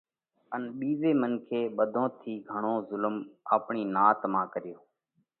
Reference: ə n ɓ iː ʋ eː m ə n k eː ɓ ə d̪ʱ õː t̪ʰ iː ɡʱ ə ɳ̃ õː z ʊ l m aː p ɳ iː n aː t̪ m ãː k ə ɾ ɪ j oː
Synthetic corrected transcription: ə n ɓ iː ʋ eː m ə n kʰ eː ɓ ə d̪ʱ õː t̪ʰ iː ɡʱ ə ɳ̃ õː z ʊ l m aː p ɳ iː n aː t̪ m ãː k ə ɾ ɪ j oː